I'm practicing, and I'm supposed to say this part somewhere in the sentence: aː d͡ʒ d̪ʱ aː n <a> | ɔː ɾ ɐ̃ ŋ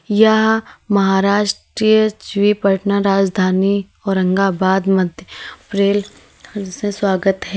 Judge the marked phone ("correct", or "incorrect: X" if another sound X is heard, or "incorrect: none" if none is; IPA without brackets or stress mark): incorrect: i